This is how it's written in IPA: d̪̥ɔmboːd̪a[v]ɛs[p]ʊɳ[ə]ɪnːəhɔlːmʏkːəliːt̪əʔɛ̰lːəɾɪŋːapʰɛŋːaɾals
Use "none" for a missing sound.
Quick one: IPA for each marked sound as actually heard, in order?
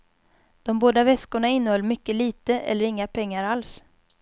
v, k, a

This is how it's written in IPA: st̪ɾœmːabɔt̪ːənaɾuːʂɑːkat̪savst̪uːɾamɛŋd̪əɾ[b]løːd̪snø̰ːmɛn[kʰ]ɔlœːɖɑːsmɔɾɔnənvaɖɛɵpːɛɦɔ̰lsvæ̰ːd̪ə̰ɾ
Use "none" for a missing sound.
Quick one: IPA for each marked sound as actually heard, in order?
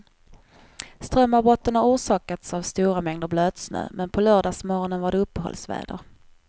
b, pʰ

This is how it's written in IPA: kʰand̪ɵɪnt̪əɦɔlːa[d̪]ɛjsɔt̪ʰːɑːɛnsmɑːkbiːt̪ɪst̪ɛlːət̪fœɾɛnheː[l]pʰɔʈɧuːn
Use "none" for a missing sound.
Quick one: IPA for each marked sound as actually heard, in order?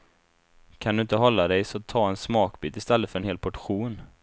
d̪, l

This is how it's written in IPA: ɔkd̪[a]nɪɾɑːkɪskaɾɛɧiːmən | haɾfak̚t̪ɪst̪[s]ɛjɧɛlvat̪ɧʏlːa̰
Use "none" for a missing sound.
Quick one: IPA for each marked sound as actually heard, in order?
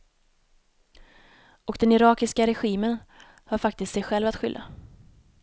ɛ, s

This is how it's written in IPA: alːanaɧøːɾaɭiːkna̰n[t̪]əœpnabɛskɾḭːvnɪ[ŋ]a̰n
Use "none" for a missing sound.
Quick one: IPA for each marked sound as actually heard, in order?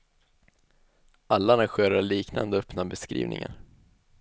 d̪, ŋ

